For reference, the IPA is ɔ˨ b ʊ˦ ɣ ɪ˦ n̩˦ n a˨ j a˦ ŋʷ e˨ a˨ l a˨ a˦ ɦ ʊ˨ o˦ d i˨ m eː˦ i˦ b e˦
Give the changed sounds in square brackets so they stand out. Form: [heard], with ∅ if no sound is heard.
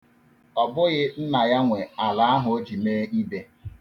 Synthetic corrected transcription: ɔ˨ b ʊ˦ ɣ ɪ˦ n̩˦ n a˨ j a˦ ŋʷ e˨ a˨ l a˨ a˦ ɦ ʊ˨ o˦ [d͡ʒ] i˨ m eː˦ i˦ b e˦